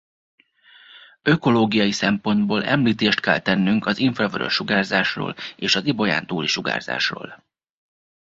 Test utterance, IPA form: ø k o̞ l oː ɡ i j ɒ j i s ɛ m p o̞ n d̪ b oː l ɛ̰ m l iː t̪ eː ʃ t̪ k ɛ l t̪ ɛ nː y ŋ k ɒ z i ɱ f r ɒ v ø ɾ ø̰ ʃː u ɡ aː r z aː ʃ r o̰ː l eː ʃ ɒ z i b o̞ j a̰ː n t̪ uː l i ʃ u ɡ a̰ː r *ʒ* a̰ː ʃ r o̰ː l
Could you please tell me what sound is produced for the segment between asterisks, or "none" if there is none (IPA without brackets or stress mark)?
z